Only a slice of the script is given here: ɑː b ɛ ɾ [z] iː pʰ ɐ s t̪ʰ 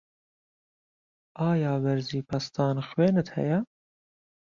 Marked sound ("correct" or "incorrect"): correct